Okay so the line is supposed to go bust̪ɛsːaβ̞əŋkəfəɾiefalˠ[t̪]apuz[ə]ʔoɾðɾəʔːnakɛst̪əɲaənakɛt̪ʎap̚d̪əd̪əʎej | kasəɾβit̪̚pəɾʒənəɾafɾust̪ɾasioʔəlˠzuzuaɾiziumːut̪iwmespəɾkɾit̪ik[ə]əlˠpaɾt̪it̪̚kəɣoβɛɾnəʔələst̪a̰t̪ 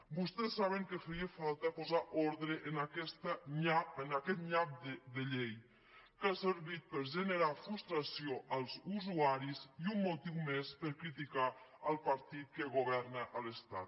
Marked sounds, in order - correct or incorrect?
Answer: correct, incorrect: a, incorrect: a

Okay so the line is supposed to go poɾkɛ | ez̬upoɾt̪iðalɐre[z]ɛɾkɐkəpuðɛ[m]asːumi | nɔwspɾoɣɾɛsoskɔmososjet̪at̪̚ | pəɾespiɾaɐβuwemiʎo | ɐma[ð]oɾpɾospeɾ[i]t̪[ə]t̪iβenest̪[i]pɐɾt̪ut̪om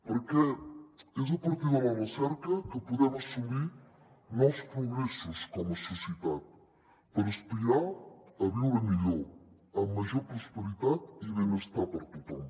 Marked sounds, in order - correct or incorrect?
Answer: incorrect: s, correct, incorrect: ʒ, correct, incorrect: a, incorrect: a

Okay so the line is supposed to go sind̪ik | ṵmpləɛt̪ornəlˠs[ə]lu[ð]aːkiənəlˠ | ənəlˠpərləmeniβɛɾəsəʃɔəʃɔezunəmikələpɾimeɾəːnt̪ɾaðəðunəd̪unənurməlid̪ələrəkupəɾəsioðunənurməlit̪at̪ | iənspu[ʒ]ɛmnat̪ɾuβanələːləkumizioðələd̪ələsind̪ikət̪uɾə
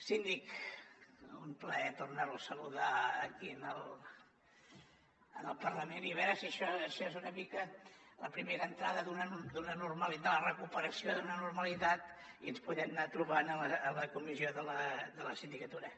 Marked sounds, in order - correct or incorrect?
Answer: correct, correct, incorrect: ð

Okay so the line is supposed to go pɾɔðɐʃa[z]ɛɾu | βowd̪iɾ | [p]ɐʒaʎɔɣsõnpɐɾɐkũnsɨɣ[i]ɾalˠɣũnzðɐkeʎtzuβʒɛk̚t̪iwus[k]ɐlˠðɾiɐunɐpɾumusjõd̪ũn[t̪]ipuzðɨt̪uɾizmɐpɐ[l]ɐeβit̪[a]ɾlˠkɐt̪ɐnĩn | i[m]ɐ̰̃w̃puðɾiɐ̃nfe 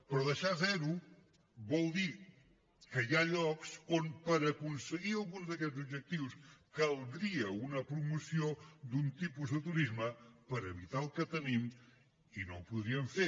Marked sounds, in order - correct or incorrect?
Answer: correct, incorrect: k, correct, correct, correct, incorrect: ɾ, correct, incorrect: n

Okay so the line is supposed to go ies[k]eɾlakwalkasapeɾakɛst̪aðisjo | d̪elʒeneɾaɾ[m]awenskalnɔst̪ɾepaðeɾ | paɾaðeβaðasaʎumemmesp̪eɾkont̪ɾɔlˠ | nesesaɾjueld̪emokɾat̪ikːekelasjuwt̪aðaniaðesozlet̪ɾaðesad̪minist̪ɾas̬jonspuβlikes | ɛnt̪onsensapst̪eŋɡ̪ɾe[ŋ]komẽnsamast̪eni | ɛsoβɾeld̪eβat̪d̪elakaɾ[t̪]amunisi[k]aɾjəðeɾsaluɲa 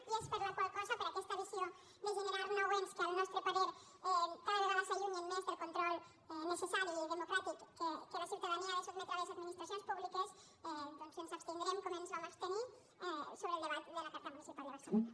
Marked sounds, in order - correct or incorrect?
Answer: incorrect: p, incorrect: n, incorrect: m, correct, incorrect: p

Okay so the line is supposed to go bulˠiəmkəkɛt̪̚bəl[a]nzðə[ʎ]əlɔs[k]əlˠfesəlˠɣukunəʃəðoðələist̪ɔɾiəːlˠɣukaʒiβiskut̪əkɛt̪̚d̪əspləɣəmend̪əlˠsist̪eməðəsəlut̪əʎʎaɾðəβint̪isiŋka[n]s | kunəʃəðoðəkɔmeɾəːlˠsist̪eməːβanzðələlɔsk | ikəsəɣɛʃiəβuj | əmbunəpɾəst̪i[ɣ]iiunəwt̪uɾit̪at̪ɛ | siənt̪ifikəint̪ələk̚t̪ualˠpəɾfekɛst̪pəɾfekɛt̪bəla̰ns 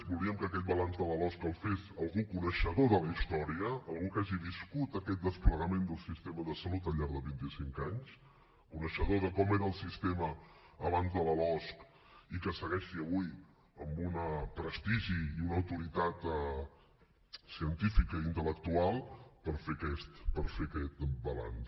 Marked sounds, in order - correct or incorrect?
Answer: correct, incorrect: l, correct, incorrect: ɲ, incorrect: ʒ

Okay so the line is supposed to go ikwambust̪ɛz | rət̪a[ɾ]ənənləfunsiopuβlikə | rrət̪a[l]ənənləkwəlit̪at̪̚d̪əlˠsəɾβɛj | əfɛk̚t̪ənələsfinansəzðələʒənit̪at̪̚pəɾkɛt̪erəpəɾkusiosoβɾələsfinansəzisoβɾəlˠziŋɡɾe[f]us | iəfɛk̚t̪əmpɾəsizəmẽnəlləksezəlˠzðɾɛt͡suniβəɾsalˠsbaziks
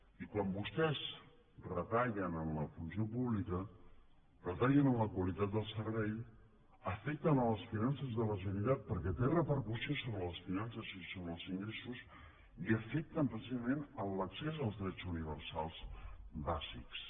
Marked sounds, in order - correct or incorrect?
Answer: incorrect: ʎ, incorrect: ʎ, incorrect: s

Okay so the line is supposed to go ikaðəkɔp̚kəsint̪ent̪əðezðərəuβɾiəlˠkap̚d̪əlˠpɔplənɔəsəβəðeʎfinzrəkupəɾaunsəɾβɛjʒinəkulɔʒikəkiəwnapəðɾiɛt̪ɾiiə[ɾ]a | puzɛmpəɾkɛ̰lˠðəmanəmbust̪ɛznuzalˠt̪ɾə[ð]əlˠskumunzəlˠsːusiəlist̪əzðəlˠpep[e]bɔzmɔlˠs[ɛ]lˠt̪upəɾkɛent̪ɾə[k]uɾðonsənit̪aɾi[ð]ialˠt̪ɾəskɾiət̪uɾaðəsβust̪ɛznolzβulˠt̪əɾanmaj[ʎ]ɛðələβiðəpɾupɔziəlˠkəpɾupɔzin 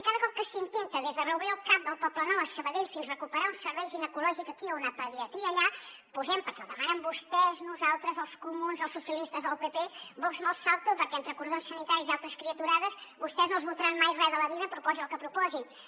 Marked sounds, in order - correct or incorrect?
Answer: incorrect: ʎ, incorrect: z, correct, incorrect: a, correct, incorrect: z, incorrect: r

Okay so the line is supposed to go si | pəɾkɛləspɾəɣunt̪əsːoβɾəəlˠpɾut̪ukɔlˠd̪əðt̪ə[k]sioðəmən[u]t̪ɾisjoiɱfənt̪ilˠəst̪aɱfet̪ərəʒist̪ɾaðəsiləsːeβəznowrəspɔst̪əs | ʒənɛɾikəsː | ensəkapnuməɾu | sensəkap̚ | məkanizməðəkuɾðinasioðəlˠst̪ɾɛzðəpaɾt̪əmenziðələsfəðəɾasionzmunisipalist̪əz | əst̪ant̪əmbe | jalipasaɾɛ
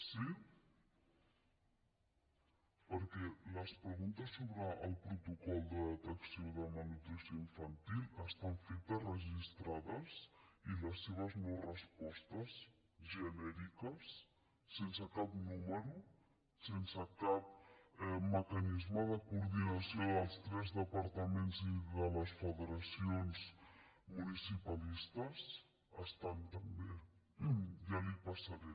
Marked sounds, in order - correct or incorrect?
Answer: correct, correct

